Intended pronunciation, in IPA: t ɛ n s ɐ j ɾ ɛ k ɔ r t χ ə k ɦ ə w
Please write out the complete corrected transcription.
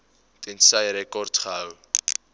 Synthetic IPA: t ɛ n s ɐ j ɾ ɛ k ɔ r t χ ə ɦ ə w